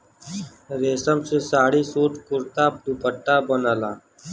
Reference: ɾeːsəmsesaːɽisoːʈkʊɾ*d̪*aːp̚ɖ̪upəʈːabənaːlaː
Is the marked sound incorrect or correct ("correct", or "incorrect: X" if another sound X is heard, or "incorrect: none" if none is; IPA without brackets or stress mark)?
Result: incorrect: t̪